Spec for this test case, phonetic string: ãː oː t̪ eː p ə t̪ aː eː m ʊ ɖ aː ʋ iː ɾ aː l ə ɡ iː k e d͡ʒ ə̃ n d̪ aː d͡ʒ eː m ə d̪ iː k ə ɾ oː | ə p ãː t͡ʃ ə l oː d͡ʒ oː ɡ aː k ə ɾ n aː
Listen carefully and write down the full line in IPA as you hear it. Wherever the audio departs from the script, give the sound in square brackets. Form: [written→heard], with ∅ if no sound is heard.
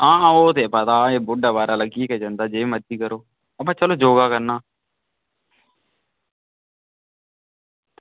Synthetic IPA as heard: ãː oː t̪ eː p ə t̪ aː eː [m→b] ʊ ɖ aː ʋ [iː→aː] ɾ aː l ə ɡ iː k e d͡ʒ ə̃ n d̪ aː d͡ʒ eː m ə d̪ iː k ə ɾ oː | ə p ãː t͡ʃ ə l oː d͡ʒ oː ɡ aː k ə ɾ n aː